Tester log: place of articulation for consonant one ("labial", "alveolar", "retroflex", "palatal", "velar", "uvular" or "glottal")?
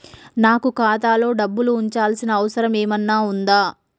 alveolar